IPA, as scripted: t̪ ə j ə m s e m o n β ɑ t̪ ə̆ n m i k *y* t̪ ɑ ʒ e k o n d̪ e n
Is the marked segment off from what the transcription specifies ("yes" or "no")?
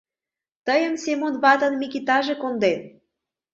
yes